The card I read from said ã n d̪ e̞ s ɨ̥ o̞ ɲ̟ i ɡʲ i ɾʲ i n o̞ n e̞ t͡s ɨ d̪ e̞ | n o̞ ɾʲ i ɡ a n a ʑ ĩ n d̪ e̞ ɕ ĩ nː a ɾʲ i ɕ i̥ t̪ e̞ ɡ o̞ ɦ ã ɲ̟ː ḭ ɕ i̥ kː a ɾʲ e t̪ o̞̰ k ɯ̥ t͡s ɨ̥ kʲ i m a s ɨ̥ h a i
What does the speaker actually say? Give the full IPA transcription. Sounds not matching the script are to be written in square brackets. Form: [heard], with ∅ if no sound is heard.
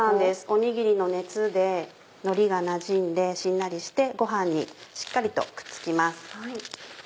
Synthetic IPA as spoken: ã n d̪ e̞ s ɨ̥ o̞ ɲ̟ i ɡʲ i ɾʲ i n o̞ n e̞ t͡s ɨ d̪ e̞ | n o̞ ɾʲ i ɡ a n a ʑ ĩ n d̪ e̞ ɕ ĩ nː a ɾʲ i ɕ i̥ t̪ e̞ ɡ o̞ ɦ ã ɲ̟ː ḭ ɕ i̥ kː a ɾʲ [i] t̪ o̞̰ k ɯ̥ t͡s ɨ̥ kʲ i m a s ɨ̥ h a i